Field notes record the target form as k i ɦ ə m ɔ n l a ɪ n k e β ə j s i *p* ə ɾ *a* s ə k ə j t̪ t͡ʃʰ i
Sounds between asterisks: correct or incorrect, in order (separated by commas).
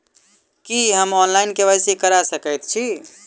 incorrect, correct